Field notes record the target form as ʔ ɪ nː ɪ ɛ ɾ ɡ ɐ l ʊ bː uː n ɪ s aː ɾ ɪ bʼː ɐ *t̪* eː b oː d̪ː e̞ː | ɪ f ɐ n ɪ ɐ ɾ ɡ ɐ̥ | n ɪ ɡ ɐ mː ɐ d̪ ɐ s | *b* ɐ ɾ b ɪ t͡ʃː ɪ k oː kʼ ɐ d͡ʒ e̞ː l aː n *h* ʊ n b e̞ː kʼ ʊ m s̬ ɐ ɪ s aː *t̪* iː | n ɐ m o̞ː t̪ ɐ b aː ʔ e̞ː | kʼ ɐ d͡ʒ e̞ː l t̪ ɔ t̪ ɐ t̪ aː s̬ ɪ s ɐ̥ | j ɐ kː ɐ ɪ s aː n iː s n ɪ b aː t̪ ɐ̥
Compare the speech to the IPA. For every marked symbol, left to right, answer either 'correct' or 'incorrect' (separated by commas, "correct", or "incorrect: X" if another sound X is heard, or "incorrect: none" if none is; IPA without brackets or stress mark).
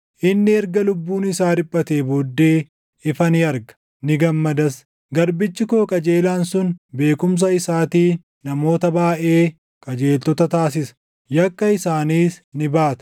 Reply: correct, incorrect: ɡ, incorrect: s, correct